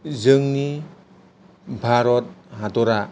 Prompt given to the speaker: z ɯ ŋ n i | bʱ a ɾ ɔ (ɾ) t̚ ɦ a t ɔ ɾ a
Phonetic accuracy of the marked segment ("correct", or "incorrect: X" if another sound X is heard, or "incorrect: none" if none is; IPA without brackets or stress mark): incorrect: none